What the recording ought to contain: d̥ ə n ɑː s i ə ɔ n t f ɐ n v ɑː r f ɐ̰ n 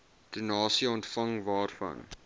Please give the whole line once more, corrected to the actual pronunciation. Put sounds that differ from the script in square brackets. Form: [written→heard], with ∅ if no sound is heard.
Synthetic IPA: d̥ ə n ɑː s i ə ɔ n t f ɐ [n→ŋ] v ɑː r f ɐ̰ n

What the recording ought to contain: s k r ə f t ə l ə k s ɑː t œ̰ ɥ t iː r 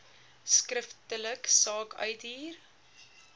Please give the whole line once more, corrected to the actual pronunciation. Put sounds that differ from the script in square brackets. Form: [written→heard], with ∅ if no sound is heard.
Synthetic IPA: s k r ə f t ə l ə k s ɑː [t→k] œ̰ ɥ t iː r

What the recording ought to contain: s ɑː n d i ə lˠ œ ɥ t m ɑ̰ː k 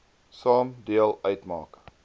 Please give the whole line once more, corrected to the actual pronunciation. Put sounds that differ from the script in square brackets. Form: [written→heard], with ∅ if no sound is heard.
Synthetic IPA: s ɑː [n→m] d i ə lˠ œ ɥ t m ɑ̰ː k

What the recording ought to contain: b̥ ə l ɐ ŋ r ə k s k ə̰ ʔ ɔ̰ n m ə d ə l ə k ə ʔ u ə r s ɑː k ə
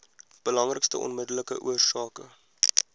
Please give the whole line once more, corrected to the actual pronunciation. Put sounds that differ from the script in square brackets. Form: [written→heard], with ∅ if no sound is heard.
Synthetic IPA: b̥ ə l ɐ ŋ r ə k s [k→t] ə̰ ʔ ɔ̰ n m ə d ə l ə k ə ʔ u ə r s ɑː k ə

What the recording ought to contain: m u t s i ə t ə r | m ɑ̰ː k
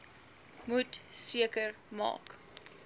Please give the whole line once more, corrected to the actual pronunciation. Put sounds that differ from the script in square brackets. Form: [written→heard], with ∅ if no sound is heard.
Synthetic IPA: m u t s i ə [t→k] ə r | m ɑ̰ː k

